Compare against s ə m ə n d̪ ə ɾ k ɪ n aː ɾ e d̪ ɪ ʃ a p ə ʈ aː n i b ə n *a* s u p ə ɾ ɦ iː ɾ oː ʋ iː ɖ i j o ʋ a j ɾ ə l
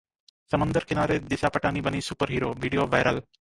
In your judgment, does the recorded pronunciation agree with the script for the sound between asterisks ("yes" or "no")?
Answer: no